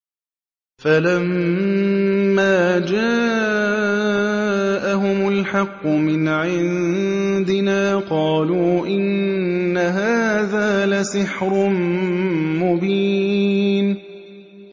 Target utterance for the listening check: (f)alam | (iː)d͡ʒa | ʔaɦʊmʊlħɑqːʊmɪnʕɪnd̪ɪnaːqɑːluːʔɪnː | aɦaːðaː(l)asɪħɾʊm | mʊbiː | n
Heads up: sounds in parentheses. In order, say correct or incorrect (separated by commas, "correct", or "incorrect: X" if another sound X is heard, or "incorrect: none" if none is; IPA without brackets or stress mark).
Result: correct, incorrect: aː, correct